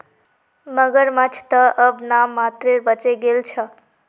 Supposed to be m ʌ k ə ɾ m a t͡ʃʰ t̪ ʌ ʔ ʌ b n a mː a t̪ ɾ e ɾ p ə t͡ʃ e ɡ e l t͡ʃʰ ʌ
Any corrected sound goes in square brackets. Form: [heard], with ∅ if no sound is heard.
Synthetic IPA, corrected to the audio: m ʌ [ɡ] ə ɾ m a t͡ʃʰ t̪ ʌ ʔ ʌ b n a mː a t̪ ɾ e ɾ [b] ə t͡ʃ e ɡ e l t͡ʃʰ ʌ

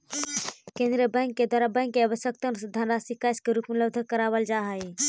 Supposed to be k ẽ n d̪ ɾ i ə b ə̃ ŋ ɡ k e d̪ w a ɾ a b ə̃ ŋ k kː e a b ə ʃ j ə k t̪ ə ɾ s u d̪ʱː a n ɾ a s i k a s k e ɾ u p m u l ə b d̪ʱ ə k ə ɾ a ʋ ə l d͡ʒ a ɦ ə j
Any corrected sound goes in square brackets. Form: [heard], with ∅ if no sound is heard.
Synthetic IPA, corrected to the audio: k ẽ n d̪ ɾ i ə b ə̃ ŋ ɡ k e d̪ w a ɾ a b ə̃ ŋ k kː e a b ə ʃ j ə k t̪ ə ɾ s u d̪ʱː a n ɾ a s i k a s k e ɾ u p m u l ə b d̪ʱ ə k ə ɾ a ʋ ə l d͡ʒ a ɦ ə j

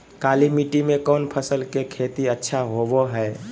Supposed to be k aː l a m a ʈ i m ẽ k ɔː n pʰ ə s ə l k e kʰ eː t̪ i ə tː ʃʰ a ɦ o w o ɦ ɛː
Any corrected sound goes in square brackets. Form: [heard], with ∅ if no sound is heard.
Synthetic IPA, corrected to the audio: k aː l [i] m [i] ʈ i m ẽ k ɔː n pʰ ə s ə l k e kʰ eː t̪ i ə tː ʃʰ a ɦ o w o ɦ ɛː

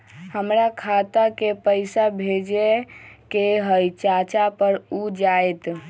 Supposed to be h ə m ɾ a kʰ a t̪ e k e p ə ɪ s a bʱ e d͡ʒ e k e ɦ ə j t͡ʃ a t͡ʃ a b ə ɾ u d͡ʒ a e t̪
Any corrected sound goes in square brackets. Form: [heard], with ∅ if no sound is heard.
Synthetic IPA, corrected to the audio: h ə m ɾ a kʰ a t̪ [a] k e p ə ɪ s a bʱ e d͡ʒ e k e ɦ ə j t͡ʃ a t͡ʃ a [p] ə ɾ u d͡ʒ a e t̪

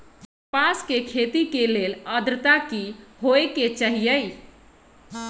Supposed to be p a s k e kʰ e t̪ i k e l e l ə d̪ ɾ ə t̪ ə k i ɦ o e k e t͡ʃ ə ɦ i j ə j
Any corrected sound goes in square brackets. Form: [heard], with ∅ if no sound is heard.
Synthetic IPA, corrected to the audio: p a s k e kʰ e t̪ i k e l e l ə d̪ ɾ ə t̪ [a] k i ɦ o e k e t͡ʃ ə ɦ i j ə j

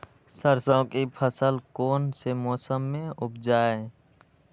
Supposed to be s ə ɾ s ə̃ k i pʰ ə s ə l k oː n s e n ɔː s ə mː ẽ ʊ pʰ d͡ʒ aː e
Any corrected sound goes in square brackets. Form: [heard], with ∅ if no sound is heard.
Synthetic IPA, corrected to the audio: s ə ɾ s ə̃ k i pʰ ə s ə l k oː n s e [m] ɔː s ə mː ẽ ʊ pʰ d͡ʒ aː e

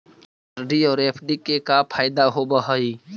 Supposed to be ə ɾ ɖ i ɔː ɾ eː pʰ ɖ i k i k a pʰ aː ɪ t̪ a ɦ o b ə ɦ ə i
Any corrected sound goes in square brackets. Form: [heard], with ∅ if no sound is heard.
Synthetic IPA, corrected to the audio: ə ɾ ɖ i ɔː ɾ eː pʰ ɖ i k [e] k a pʰ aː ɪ [d̪] a ɦ o b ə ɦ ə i

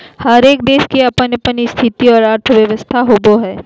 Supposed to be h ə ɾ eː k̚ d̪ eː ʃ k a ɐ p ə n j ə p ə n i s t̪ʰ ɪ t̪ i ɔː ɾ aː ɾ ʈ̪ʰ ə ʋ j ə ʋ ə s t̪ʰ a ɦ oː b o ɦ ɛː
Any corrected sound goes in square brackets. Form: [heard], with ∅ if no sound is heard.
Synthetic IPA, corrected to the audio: h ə ɾ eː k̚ d̪ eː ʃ k [i] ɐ p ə n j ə p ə n i s t̪ʰ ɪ t̪ i ɔː ɾ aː ɾ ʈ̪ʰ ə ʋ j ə ʋ ə s t̪ʰ a ɦ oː b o ɦ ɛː

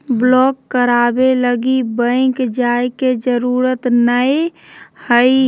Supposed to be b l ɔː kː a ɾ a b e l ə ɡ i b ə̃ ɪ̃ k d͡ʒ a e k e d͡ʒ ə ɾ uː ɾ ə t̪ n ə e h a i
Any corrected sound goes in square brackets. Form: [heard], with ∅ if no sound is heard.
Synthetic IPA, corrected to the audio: b l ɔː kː [ə] ɾ a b e l ə ɡ i b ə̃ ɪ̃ k d͡ʒ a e k e d͡ʒ ə ɾ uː ɾ ə t̪ n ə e h [ə] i

